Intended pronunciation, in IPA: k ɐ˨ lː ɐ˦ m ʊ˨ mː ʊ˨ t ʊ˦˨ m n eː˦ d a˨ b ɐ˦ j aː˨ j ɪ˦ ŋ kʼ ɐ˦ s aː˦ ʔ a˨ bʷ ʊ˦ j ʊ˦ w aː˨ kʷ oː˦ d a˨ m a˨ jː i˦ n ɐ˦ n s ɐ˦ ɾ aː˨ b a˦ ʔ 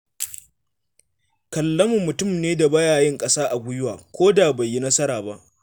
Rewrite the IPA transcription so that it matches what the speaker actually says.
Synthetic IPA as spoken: k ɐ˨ lː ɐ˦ m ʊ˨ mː ʊ˨ t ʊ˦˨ m n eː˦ d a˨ b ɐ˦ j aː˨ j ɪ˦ ŋ kʼ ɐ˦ s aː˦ ʔ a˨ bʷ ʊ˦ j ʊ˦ w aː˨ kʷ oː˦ d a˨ b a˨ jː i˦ n ɐ˦ s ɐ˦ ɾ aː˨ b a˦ ʔ